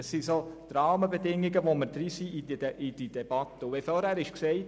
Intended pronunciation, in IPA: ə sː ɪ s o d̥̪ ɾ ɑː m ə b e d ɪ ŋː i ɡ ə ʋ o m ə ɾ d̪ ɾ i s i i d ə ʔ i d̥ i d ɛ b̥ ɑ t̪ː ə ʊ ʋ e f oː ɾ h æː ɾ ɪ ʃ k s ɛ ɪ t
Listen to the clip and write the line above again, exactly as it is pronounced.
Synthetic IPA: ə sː i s o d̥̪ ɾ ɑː m ə b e d ɪ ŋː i ɡ ə ʋ o m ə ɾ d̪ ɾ i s i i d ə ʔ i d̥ i d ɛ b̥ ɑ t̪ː ə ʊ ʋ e f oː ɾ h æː ɾ ɪ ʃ k s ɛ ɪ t

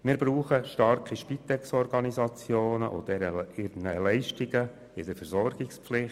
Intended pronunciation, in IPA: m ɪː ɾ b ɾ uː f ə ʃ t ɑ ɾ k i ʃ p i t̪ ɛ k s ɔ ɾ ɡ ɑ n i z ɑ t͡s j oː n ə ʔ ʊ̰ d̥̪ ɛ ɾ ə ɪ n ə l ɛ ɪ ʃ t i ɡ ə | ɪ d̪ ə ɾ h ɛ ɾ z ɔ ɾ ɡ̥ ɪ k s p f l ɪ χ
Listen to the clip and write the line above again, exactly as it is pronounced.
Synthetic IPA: m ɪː ɾ b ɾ uː χ ə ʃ t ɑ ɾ k i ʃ p i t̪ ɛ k s ɔ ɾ ɡ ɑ n i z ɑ t͡s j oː n ə ʔ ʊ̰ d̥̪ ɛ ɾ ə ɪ n ə l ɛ ɪ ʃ t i ɡ ə | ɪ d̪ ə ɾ f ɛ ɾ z ɔ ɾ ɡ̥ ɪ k s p f l ɪ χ

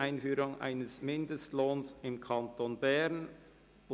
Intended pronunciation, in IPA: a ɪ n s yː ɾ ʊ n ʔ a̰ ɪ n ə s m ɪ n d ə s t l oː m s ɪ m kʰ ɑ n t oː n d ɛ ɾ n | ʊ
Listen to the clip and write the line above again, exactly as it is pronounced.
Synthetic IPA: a ɪ n f yː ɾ ʊ ŋ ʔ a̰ ɪ n ə s m ɪ n d ə s t l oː n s ɪ m kʰ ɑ n t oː n b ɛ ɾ n | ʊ

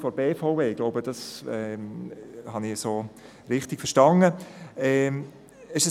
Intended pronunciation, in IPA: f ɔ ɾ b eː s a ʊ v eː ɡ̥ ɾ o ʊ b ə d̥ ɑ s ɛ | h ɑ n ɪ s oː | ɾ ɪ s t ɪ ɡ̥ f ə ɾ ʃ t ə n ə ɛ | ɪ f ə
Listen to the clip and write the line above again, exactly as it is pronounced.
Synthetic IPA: f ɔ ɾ b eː f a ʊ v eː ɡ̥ l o ʊ b ə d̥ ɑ s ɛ | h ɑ n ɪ s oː | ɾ ɪ χ t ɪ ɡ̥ f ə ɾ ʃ t ɑ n ə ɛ | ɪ ʃ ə

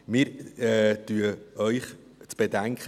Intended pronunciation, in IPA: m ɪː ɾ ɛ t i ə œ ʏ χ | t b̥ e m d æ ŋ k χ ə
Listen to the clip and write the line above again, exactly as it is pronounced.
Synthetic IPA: m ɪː ɾ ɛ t y ə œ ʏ χ | t͡s b̥ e d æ ŋ k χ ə

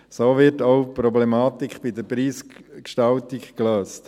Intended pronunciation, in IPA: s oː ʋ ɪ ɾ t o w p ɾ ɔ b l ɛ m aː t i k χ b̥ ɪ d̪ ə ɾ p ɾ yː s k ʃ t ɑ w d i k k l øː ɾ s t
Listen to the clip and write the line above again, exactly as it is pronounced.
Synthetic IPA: s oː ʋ ɪ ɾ t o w p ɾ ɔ b l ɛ m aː t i k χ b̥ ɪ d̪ ə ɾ p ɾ iː s k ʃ t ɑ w t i k k l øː s t

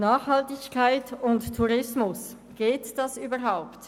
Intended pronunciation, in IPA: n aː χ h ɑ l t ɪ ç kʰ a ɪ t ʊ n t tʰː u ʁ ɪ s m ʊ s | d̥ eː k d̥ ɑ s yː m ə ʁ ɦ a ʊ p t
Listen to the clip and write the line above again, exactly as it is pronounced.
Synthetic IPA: n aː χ h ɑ l t ɪ ç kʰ a ɪ t ʊ n t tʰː u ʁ ɪ s m ʊ s | ɡ̥ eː t d̥ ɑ s yː b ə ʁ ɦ a ʊ p t

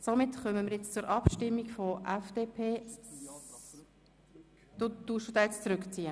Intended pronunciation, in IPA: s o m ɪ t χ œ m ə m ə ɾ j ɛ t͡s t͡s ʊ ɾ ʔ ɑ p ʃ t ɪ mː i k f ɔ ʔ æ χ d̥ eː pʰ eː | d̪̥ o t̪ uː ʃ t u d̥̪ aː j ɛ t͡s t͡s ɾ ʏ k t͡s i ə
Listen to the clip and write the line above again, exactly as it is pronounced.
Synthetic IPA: s o m ɪ t χ œ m ə m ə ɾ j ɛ t͡s t͡s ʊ ɾ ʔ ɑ p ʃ t ɪ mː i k f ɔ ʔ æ f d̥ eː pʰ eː | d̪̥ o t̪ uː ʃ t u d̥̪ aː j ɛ t͡s t͡s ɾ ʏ k t͡s i ə

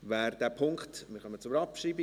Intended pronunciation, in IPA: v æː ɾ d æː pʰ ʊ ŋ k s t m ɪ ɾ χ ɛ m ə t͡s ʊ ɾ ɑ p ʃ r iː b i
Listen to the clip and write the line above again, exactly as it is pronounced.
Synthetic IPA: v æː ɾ d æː pʰ ʊ ŋ k χ t m ɪ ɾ χ œ m ə t͡s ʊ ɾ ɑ p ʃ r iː b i

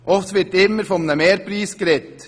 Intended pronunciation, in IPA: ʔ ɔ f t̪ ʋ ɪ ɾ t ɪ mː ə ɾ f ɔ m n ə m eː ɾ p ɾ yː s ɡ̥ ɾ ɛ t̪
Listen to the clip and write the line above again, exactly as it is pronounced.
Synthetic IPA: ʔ ɔ f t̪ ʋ ɪ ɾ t ɪ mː ə ɾ f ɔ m n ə m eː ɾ p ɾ iː s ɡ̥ ɾ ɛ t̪

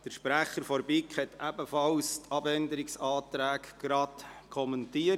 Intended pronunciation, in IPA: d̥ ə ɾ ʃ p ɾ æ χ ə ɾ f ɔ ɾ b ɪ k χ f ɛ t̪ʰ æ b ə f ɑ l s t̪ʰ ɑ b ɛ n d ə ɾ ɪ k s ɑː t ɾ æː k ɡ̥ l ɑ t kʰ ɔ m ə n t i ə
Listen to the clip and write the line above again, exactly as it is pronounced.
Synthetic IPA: d̥ ə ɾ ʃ p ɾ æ χ ə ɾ f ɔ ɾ b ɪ k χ h ɛ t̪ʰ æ b ə f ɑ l s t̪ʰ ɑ b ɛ n d ə ɾ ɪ k s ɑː t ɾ æː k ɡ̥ ɾ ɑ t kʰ ɔ m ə n t i ə

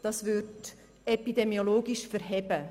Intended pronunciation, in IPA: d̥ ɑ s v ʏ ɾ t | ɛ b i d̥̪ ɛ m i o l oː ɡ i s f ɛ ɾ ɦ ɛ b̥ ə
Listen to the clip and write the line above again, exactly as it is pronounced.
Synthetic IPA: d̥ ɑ s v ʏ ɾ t | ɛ p i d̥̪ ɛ m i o l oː ɡ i ʃ f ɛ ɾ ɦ ɛ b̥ ə

